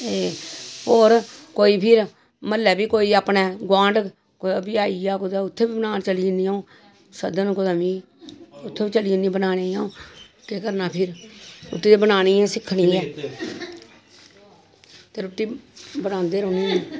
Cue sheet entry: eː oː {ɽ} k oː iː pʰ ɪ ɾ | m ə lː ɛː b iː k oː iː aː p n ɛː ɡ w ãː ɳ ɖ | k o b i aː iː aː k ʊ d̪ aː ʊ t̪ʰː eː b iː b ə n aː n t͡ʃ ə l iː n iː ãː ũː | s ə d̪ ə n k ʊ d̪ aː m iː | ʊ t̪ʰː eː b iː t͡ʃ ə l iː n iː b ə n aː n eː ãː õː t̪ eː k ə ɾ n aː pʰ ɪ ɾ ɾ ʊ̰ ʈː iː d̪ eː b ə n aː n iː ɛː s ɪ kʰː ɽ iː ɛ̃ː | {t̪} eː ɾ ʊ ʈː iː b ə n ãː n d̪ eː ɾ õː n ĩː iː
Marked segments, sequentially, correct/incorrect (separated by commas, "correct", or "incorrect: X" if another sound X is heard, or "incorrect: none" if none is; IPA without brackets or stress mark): incorrect: ɾ, correct